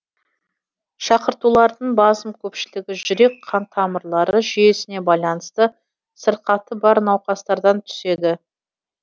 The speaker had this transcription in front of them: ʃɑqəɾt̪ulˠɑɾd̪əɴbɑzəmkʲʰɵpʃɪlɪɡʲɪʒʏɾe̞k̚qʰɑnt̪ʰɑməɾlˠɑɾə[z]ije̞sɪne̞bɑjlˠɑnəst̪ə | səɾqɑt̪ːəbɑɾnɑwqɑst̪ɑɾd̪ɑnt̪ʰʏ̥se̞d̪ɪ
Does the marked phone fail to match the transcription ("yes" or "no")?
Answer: yes